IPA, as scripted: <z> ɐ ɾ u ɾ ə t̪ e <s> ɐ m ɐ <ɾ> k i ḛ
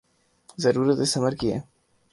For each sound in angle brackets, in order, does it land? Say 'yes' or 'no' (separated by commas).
yes, yes, yes